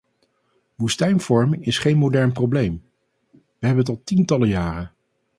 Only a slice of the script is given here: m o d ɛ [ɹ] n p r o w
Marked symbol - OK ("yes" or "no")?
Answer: yes